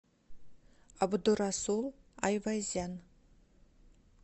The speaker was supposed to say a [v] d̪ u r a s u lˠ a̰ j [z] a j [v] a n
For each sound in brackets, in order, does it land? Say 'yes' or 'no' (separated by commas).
no, no, no